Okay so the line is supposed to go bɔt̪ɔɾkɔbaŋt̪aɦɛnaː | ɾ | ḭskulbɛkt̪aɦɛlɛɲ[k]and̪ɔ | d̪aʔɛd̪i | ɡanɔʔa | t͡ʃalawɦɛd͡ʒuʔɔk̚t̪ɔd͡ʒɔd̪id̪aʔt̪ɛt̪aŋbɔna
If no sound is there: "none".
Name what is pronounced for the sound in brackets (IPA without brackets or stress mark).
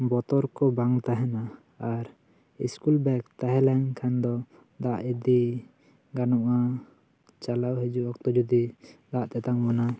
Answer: kʰ